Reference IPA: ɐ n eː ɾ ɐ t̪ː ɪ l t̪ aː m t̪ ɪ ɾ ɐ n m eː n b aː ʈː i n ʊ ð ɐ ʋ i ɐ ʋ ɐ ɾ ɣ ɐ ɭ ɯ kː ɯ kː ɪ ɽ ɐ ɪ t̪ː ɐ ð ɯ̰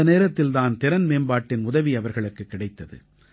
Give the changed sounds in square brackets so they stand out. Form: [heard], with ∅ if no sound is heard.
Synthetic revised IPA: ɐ n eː ɾ ɐ t̪ː ɪ l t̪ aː [n] t̪ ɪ ɾ ɐ n m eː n b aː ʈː [ɪ] n ʊ ð ɐ ʋ i ɐ ʋ ɐ ɾ ɣ ɐ ɭ ɯ kː ɯ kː ɪ ɽ ɐ ɪ t̪ː ɐ ð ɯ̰